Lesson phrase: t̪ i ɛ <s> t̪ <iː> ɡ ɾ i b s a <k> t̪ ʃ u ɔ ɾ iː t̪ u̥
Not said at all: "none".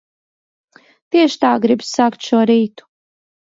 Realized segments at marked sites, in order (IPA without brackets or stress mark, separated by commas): ʃ, aː, k